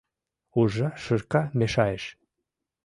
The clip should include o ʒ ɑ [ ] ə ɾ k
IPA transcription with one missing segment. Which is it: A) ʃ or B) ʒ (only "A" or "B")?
A